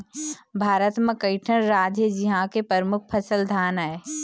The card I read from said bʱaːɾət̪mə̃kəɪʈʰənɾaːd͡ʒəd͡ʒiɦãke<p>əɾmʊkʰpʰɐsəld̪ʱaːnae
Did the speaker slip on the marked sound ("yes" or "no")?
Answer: no